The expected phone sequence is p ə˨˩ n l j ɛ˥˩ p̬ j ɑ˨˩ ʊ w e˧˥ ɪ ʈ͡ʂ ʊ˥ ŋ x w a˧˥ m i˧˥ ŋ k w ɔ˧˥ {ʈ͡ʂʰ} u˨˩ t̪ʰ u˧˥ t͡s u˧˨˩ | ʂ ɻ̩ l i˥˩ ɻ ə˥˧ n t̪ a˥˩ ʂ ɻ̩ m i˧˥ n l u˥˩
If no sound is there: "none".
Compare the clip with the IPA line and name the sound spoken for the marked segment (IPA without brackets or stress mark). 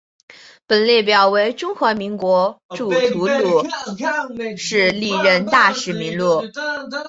ʈ͡ʂ